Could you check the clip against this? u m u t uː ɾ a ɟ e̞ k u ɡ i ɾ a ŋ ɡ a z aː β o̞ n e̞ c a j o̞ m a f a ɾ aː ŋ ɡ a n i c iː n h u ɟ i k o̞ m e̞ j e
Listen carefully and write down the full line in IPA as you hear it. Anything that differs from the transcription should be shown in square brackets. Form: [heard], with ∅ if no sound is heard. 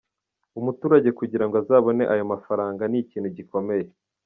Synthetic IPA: u m u t uː ɾ a ɟ e̞ k u [ɟ] i ɾ a ŋ ɡ a z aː β o̞ n e̞ [ʔ] a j o̞ m a f a ɾ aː ŋ ɡ a n i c iː n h u ɟ i k o̞ m e̞ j e